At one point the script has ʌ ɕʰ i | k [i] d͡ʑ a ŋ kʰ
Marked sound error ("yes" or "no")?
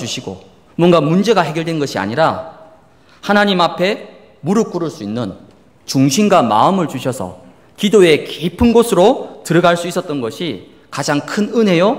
yes